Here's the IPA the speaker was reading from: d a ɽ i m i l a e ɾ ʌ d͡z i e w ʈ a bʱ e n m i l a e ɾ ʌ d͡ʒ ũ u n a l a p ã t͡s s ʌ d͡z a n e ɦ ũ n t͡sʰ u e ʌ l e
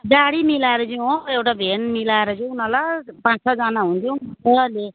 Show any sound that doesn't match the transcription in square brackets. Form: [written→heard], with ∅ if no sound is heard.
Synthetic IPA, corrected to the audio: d a ɽ i m i l a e ɾ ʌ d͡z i e w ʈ a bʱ e n m i l a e ɾ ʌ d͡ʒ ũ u n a l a p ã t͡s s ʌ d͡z a n [e→a] ɦ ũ n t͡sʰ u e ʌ l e